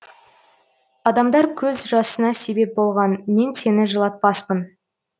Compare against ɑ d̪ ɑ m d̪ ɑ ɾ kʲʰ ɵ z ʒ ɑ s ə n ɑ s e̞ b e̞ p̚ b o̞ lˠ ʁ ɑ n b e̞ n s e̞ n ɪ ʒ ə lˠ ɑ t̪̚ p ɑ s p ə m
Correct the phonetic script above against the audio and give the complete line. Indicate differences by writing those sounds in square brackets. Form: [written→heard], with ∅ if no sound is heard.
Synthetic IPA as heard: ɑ d̪ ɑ m d̪ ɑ ɾ kʲʰ ɵ z ʒ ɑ s ə n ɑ s e̞ b e̞ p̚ b o̞ lˠ ʁ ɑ n [b→m] e̞ n s e̞ n ɪ ʒ ə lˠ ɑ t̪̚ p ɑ s p ə [m→n]